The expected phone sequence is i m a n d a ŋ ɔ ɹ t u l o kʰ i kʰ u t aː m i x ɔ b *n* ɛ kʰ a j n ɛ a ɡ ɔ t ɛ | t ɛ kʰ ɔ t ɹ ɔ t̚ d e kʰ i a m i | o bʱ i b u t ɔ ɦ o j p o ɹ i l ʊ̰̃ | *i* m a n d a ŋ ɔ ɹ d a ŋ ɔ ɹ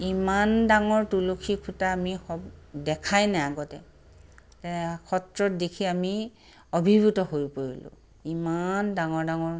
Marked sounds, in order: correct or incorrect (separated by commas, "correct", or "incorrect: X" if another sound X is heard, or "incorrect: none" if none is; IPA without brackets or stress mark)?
incorrect: d, correct